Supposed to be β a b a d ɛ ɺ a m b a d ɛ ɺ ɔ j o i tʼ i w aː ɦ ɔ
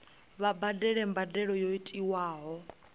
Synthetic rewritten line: β a b a d ɛ ɺ ɛ m b a d ɛ ɺ ɔ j o i tʼ i w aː ɦ ɔ

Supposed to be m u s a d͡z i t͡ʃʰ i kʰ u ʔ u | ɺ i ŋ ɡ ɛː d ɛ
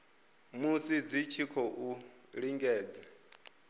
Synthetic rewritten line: m u s i d͡z i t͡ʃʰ i kʰ ɔ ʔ u | ɺ i ŋ ɡ ɛː d͡z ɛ

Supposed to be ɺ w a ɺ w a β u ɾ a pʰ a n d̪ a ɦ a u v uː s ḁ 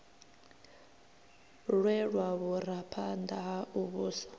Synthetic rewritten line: ɺ w ɛ ɺ w a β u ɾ a pʰ a n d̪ a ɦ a u β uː s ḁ

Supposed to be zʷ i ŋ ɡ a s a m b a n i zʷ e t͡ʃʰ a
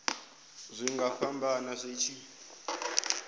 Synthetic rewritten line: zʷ i ŋ ɡ a f a m b a n a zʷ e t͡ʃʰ i

